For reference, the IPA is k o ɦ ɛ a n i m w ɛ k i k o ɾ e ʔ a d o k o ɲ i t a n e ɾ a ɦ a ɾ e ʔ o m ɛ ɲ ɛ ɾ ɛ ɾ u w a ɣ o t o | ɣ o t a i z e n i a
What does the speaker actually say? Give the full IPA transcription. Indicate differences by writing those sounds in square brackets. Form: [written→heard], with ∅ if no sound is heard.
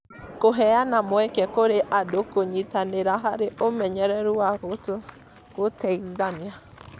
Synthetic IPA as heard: k o ɦ ɛ a n [i→a] m w ɛ k [i→ɛ] k o ɾ e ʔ a d o k o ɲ i t a n e ɾ a ɦ a ɾ e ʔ o m ɛ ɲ ɛ ɾ ɛ ɾ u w a ɣ o t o | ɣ o t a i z [e→a] n i a